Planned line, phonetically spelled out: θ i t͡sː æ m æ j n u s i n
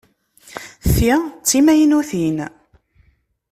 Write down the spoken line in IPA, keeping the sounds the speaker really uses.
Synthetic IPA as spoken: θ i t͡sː i m æ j n u θ i n

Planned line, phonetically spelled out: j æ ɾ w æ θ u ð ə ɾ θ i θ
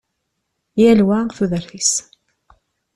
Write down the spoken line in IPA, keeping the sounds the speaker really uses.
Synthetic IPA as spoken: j æ l w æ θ u ð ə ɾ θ i s

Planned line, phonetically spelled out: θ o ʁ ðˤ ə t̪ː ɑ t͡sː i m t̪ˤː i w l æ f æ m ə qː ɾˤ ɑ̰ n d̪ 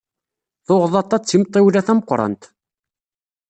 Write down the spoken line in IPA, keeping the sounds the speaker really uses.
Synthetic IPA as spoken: θ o ʁ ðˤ ɑ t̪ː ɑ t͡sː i m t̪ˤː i w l æ θ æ m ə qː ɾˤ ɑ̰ n t̪

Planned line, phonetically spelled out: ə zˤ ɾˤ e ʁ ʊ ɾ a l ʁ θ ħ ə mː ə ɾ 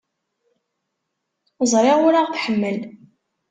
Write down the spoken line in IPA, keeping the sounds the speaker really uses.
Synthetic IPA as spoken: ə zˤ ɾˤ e ʁ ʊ ɾ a ʁ θ ħ ə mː ə l

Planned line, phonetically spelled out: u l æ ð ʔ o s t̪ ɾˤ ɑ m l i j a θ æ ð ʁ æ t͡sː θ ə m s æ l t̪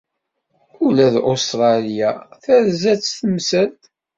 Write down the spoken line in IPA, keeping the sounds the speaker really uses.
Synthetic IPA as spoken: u l æ ð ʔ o s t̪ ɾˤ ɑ l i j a θ æ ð z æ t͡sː θ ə m s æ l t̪

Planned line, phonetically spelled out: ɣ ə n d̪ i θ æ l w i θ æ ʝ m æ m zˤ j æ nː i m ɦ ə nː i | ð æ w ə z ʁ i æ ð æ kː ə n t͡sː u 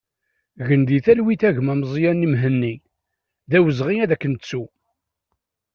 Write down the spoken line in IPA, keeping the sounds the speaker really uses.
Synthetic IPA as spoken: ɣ ə n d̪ i θ æ l w i θ æ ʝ m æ m zˤ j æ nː i m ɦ ə nː i | ð æ w ə z ʁ i æ ð æ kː ə n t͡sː u

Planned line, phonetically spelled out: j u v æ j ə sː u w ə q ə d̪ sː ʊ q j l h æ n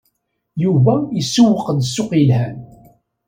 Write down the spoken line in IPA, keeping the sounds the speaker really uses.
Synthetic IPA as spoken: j u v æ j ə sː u w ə q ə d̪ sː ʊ q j l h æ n

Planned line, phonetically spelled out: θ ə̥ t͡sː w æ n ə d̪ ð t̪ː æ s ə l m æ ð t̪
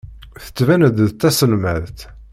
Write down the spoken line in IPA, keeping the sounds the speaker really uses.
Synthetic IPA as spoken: θ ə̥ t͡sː v æ n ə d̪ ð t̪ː æ s ə l m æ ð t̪

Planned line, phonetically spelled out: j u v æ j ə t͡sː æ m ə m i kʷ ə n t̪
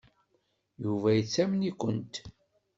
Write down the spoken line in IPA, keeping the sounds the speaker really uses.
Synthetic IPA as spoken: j u v æ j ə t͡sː æ m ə n i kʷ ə n t̪

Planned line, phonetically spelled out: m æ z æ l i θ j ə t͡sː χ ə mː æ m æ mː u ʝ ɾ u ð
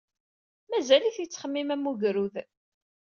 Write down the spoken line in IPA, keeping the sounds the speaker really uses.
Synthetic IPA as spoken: m æ z æ l i θ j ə t͡sː χ ə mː i m æ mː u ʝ ɾ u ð

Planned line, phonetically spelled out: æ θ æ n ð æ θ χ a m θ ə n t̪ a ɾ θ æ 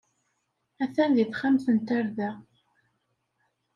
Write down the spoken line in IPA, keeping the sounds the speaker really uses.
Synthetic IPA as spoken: æ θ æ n ð i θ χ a m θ ə n t̪ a ɾ ð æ

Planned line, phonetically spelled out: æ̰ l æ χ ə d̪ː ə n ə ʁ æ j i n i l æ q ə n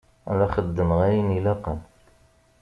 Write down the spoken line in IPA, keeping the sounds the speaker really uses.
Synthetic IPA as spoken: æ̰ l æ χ ə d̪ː ə m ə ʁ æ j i n i l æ q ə n

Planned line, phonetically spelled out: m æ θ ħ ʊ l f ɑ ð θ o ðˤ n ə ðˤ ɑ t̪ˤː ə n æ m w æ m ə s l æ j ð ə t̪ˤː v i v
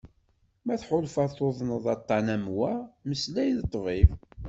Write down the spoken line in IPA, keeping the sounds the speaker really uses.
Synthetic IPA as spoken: m æ θ ħ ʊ l f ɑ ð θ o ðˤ n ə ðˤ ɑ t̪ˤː ɑ n æ m w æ m ə s l æ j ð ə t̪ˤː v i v

